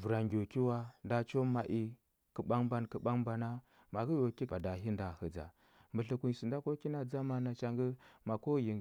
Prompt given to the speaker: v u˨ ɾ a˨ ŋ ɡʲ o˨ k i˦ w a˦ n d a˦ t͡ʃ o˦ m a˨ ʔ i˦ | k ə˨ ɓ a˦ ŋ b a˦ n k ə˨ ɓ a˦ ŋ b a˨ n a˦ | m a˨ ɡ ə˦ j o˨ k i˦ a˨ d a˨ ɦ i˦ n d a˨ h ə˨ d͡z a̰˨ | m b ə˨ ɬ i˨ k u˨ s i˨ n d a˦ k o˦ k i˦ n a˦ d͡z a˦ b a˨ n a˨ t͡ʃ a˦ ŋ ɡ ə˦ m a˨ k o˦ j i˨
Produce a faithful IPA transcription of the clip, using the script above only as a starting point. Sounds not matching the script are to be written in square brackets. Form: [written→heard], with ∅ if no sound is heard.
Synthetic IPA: v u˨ ɾ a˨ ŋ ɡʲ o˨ k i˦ w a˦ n d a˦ t͡ʃ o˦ m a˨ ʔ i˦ | k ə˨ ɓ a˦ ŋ b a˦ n k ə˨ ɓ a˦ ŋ b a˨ n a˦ | m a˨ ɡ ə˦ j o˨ k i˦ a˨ d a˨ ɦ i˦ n d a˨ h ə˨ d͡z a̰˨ | m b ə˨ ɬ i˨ k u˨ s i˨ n d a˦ k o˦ k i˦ n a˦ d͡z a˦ [b→m] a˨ n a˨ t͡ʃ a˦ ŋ ɡ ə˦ m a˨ k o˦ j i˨